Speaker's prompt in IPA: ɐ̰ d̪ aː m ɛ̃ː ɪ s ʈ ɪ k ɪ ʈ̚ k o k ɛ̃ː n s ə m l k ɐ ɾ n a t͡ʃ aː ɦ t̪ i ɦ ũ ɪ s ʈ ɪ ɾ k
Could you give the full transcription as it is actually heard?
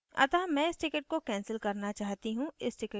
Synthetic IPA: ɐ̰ t̪ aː m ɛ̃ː ɪ s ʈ ɪ k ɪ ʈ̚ k o k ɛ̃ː n s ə l k ɐ ɾ n a t͡ʃ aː ɦ t̪ i ɦ ũ ɪ s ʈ ɪ k